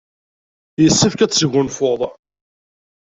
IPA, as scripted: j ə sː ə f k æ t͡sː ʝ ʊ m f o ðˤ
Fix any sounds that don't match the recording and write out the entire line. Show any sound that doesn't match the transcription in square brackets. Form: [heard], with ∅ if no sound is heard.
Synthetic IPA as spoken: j ə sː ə f k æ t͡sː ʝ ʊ [n] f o ðˤ